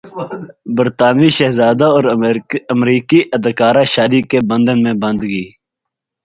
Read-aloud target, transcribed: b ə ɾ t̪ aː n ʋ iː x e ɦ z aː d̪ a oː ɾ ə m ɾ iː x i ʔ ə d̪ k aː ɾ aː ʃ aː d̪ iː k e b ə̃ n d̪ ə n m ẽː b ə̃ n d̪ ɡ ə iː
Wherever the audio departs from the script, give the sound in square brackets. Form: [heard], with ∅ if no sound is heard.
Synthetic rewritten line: b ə ɾ t̪ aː n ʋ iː [ʃ] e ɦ z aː d̪ a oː ɾ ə m ɾ iː [k] i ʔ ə d̪ k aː ɾ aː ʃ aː d̪ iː k e b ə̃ n d̪ ə n m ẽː b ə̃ n d̪ ɡ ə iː